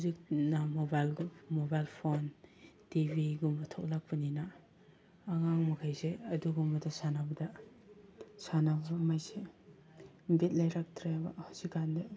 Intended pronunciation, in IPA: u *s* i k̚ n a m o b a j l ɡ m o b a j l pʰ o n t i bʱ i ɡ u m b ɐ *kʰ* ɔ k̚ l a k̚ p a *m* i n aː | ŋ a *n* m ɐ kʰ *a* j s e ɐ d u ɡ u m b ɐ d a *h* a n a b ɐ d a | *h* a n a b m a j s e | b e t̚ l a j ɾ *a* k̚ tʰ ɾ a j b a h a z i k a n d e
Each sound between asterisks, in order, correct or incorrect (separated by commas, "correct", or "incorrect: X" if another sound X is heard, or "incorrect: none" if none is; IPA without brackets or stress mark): incorrect: z, incorrect: tʰ, incorrect: n, incorrect: ŋ, correct, incorrect: s, incorrect: s, correct